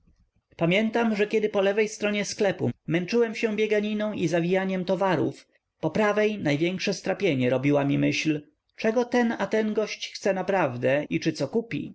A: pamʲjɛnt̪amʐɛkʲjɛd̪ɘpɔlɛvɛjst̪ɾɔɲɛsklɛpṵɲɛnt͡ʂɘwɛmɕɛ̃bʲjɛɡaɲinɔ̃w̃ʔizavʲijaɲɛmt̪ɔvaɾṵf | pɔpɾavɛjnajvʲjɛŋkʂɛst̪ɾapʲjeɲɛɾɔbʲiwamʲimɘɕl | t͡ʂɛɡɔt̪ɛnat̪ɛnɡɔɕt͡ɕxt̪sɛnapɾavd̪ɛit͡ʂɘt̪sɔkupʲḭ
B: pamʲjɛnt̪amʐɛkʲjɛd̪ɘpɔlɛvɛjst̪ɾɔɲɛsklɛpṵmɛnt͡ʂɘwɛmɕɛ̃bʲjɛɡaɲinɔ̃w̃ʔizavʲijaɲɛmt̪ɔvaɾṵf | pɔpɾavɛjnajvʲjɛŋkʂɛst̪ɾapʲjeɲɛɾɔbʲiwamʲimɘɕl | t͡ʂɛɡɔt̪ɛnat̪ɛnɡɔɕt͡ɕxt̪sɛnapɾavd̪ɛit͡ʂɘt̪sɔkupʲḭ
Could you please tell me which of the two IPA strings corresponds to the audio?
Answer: B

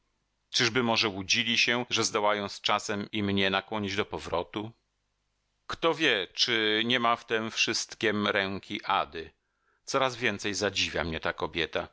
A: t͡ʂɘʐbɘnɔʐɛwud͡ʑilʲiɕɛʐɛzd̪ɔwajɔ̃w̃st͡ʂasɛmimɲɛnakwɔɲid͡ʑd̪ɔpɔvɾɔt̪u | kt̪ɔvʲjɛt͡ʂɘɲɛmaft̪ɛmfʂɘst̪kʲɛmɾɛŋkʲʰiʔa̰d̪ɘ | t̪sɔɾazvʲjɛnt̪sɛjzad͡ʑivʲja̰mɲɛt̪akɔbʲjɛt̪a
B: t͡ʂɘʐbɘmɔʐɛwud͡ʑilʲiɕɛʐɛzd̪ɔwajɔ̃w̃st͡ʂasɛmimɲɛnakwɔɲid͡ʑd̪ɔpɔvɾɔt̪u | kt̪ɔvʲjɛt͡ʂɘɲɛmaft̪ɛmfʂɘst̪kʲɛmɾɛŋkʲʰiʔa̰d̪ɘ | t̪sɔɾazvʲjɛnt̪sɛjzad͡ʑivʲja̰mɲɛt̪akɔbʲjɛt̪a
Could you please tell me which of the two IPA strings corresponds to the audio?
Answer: B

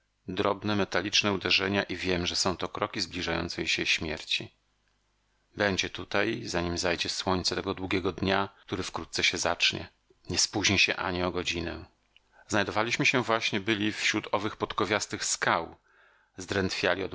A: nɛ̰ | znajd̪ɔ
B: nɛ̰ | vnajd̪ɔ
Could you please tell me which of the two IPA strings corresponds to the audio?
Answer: A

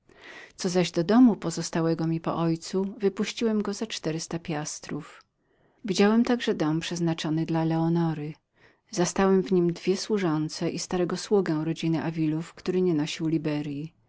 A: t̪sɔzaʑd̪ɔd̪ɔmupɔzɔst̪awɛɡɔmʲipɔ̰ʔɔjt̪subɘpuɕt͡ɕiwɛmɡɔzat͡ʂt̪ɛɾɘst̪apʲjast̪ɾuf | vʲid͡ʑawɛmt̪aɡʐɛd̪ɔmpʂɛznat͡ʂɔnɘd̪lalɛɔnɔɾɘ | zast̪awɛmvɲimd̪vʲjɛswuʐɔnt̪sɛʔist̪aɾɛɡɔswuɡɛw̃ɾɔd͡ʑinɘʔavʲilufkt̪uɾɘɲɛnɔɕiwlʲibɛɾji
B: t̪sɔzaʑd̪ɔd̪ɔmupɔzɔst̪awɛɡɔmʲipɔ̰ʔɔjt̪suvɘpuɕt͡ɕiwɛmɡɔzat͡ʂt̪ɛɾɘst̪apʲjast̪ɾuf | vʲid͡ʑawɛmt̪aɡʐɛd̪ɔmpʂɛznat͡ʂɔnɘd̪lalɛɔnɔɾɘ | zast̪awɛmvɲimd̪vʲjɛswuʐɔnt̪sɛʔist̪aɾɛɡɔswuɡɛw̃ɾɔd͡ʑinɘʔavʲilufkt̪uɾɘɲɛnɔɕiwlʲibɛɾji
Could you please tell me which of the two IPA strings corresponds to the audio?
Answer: B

